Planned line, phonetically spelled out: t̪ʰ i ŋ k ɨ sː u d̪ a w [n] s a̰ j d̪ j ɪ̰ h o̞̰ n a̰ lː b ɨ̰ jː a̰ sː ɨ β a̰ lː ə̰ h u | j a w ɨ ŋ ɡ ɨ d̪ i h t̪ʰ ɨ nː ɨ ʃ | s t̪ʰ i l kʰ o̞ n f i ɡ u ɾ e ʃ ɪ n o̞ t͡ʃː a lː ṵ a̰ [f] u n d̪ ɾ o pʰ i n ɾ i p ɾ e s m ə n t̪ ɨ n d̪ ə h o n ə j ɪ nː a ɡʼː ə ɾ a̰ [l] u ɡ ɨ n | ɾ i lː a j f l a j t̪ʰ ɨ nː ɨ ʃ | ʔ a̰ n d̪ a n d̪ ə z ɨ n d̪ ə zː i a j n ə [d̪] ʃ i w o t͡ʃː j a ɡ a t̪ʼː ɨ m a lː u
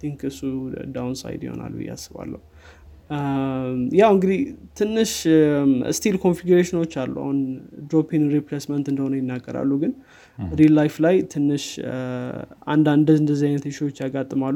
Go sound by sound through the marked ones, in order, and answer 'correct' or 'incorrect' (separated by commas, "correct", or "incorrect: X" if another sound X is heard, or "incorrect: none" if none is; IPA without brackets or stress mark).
correct, incorrect: h, incorrect: lː, incorrect: t̪